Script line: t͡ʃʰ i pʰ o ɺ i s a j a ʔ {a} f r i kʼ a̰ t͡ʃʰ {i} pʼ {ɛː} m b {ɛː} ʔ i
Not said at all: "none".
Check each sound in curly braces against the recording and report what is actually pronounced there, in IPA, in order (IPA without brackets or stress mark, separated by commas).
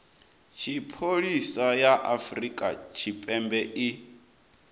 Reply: a, i, ɛ, ɛ